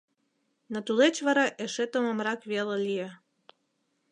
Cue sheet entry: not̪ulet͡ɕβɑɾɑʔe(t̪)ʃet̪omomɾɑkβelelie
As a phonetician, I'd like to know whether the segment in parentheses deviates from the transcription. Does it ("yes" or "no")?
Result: yes